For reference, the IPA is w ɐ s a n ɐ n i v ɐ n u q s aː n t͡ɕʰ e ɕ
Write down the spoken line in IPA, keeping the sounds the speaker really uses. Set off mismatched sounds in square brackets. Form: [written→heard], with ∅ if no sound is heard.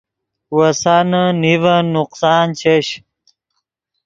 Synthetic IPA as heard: w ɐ s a n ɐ n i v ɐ n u q s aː n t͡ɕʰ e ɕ